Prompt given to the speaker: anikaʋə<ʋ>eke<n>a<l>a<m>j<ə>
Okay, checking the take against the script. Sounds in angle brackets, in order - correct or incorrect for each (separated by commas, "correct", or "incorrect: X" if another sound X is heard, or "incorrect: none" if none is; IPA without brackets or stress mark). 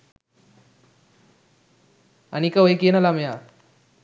incorrect: none, correct, correct, correct, incorrect: a